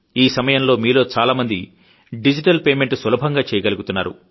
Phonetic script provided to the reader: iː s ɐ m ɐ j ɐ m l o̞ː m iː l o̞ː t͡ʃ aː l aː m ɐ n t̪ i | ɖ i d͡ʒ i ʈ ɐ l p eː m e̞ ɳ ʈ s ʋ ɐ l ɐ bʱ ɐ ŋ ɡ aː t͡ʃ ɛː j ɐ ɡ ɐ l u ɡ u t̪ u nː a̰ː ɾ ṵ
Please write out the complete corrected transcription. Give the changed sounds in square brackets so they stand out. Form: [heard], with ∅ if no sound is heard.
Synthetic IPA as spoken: iː s ɐ m ɐ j ɐ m l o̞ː m iː l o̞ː t͡ʃ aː l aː m ɐ n [d̪] i | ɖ i d͡ʒ i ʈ ɐ l p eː m e̞ ɳ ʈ s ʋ ɐ l ɐ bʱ ɐ ŋ ɡ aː t͡ʃ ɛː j ɐ ɡ ɐ l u ɡ u t̪ u nː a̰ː ɾ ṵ